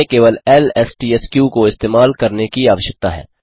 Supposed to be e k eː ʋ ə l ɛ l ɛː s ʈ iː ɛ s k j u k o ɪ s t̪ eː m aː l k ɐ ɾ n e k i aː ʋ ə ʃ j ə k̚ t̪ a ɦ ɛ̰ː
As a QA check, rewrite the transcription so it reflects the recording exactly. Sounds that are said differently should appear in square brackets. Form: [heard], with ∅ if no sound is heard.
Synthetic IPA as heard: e k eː ʋ ə l ɛ l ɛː s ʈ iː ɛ s k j u k o ɪ s t̪ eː m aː l k ɐ ɾ n e k i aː ʋ ə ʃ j ə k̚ t̪ a ɦ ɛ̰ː